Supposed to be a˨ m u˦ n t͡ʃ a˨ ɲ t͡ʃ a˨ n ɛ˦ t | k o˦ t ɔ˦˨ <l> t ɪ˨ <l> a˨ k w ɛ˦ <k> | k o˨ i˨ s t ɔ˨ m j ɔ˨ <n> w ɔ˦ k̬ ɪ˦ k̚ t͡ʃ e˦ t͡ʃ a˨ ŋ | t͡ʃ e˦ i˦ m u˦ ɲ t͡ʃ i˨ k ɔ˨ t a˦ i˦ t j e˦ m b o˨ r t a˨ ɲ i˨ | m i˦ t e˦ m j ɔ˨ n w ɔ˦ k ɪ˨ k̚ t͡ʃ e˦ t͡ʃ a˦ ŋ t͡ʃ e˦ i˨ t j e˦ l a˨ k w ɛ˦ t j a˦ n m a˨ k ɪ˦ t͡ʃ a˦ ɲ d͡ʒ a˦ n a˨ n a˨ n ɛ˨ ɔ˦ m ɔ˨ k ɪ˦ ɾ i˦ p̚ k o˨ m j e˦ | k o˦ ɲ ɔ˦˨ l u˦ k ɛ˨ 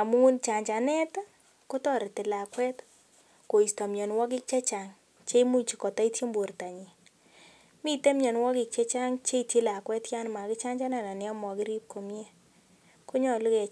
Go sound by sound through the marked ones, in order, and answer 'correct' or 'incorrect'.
incorrect: ɾ, correct, incorrect: t, correct

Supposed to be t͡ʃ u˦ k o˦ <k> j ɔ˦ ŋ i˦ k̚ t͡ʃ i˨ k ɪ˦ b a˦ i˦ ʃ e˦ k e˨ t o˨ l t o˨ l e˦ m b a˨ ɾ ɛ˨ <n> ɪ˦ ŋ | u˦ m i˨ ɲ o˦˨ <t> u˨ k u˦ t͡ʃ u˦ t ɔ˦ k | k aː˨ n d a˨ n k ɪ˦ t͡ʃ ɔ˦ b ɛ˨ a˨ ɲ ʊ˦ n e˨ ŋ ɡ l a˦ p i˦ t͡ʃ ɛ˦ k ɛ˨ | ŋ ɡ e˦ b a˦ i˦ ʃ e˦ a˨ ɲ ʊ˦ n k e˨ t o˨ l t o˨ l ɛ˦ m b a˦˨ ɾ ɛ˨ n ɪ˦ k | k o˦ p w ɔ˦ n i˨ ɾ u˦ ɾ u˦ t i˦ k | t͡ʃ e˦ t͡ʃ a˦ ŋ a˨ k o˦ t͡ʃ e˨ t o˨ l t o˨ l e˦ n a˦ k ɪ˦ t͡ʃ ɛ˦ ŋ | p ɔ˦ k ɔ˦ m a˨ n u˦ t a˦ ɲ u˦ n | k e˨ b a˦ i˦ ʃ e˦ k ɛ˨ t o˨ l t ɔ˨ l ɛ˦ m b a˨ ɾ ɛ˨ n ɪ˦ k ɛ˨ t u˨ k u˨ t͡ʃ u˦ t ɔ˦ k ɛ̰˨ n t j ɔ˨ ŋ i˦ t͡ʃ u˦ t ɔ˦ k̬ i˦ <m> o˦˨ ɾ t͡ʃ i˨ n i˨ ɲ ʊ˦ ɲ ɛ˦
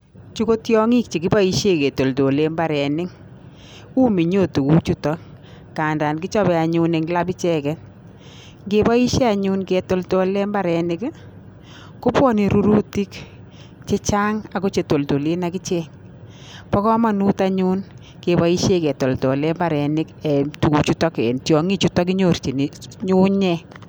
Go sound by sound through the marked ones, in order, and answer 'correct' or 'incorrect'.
incorrect: t, correct, correct, incorrect: ɲ

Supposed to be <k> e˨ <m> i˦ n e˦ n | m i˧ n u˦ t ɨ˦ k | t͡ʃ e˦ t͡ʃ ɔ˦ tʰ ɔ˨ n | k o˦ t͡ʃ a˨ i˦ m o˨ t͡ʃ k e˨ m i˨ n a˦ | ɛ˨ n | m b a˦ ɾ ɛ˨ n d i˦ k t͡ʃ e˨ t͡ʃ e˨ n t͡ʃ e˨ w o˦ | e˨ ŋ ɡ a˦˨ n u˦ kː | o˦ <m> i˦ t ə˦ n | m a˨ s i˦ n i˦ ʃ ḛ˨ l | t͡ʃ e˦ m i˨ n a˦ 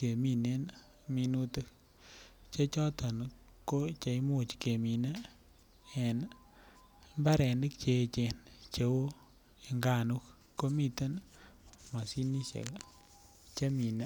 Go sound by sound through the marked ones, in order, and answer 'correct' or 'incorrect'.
correct, correct, correct

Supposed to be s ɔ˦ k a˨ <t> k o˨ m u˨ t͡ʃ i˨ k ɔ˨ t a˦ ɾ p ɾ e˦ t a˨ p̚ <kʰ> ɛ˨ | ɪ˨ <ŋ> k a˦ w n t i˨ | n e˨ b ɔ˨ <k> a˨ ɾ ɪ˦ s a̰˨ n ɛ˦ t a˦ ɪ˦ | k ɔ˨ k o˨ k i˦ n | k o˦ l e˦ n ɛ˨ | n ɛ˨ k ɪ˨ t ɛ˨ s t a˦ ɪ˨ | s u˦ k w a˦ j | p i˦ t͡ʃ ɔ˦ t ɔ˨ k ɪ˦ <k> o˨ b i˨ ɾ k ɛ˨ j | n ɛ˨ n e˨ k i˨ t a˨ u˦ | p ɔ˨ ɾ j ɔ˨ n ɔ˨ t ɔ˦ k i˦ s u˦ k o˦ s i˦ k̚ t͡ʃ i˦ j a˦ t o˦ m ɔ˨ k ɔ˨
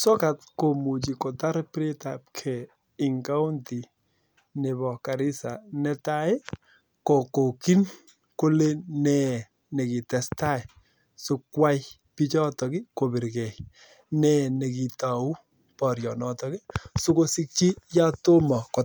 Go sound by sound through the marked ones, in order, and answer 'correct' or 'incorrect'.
correct, correct, correct, correct, correct

